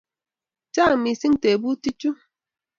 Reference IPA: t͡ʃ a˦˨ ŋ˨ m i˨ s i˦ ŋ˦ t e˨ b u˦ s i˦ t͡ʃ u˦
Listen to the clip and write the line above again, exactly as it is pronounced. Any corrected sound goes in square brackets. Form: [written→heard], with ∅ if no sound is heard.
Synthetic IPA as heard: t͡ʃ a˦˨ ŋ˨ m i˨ s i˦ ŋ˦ t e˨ b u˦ [s→t] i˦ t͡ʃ u˦